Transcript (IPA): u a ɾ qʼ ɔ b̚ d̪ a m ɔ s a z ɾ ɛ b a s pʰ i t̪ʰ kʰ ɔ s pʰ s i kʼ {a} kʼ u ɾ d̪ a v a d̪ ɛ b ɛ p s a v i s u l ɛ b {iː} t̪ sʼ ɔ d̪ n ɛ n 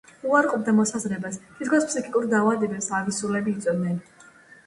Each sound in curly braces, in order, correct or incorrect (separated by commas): incorrect, correct